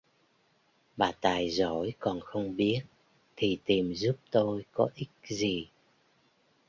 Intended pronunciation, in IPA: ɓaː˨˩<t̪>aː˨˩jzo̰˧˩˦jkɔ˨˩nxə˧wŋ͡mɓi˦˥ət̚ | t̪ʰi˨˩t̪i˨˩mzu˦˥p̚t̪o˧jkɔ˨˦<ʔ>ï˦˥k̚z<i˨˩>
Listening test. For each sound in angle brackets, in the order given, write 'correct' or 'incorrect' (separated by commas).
correct, correct, correct